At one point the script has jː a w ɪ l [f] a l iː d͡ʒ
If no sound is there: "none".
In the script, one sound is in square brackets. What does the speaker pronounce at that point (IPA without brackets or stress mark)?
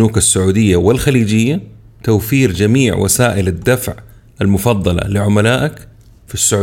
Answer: x